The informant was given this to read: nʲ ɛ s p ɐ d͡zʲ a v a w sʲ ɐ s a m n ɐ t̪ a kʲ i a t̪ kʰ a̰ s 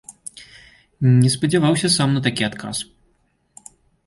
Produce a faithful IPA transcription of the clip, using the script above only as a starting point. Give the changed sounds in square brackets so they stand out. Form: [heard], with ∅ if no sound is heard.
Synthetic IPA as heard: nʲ ɛ s p ɐ d͡zʲ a v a w sʲ ɐ s a m n ɐ t̪ a kʲ i a t̪ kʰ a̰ s